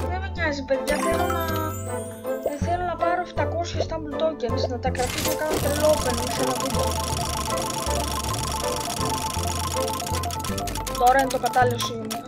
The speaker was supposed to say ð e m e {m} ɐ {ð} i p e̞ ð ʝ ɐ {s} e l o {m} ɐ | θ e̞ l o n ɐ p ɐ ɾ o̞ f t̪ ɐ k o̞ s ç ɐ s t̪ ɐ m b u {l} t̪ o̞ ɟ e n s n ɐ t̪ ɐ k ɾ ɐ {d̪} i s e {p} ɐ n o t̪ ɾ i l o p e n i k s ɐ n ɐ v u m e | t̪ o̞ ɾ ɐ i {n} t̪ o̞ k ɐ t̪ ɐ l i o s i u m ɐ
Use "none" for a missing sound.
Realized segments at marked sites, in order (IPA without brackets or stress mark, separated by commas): ɲ, z, θ, n, l, t̪, k, n